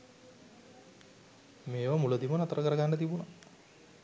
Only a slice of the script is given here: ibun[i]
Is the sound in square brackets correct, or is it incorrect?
incorrect